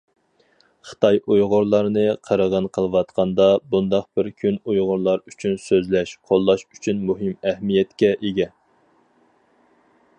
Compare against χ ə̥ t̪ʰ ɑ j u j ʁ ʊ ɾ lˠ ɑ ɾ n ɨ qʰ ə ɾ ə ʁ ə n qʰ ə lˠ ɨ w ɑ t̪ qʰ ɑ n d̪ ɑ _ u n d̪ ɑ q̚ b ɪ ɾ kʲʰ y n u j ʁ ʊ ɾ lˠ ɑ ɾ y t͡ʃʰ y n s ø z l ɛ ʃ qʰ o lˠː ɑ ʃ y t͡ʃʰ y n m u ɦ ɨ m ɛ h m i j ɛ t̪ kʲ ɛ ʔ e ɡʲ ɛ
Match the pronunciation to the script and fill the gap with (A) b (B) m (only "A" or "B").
A